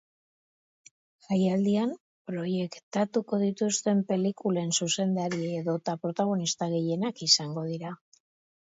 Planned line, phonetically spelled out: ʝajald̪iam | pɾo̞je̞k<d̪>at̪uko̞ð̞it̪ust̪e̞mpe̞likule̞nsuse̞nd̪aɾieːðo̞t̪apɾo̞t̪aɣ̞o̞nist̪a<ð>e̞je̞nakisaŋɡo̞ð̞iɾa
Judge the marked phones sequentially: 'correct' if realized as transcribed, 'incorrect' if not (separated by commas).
incorrect, incorrect